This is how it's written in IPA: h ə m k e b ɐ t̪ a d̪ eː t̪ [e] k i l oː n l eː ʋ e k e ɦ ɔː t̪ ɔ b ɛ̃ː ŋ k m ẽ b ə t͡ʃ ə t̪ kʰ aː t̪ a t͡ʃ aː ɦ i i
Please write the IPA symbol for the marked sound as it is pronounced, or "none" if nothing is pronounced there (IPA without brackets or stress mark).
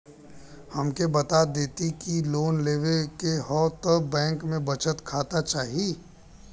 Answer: i